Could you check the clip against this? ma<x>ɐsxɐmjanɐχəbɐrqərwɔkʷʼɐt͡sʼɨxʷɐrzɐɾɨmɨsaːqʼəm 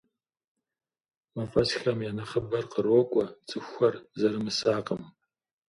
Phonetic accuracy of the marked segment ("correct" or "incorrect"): incorrect